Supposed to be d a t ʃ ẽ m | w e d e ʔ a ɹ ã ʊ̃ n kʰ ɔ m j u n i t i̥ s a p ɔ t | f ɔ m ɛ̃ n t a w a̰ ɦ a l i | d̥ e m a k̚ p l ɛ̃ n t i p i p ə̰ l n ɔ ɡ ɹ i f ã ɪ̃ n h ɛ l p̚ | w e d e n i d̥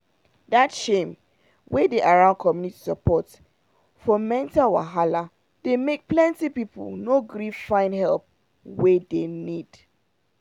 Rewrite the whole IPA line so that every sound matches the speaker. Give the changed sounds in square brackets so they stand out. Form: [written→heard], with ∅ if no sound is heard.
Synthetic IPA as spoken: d a t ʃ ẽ m | w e d e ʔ a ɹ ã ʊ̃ n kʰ ɔ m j u n i t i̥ s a p ɔ t | f ɔ m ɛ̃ n t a w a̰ ɦ a l [i→a] | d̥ e m [a→e] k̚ p l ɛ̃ n t i p i p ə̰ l n [ɔ→o] ɡ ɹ i f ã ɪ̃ n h ɛ l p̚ | w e d e n i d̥